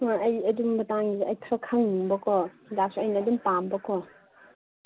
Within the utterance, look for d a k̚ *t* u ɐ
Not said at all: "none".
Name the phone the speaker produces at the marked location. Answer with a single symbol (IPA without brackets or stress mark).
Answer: s